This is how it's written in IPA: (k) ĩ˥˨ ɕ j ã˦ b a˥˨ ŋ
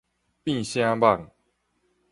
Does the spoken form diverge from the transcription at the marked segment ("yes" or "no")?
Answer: yes